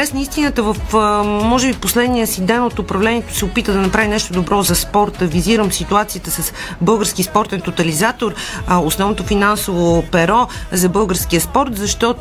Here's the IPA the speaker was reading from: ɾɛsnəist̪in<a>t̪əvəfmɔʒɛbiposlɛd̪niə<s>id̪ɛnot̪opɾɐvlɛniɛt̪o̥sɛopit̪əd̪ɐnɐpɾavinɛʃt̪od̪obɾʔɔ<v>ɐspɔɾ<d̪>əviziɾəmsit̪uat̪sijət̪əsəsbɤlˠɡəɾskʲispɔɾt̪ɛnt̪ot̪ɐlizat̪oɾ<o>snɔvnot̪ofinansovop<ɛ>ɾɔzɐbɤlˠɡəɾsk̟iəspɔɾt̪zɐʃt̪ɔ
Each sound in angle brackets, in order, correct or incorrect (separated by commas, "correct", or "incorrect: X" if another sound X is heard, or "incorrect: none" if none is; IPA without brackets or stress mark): incorrect: ə, correct, incorrect: z, incorrect: t̪, correct, correct